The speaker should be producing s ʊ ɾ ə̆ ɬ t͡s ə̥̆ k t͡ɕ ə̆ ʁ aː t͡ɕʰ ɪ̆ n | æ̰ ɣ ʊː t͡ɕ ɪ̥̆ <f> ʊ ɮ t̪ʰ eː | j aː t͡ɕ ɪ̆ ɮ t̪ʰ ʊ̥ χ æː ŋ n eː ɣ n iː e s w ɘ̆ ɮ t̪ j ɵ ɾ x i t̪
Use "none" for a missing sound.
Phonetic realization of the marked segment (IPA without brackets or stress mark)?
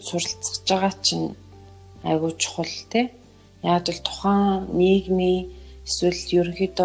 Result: χ